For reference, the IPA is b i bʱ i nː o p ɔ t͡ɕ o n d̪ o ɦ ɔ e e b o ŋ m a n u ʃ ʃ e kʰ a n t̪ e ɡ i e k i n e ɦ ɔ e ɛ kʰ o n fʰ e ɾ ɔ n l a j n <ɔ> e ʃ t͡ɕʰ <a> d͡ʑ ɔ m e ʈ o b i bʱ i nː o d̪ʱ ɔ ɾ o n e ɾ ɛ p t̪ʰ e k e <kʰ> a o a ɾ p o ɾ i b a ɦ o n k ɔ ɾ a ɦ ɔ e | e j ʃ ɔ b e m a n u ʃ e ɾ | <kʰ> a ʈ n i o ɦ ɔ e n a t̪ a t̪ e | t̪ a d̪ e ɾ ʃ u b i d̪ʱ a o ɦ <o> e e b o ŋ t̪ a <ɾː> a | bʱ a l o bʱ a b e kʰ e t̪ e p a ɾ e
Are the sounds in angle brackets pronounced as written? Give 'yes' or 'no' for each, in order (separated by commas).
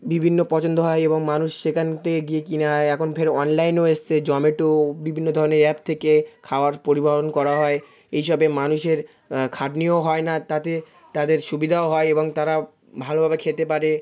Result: no, no, yes, yes, no, no